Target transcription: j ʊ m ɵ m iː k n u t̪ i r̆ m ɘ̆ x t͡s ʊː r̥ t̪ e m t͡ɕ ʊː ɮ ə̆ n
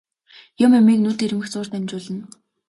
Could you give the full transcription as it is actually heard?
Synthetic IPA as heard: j ʊ m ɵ m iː k n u t̪ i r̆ m ɘ̆ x t͡s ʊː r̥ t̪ æ m t͡ɕ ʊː ɮ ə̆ n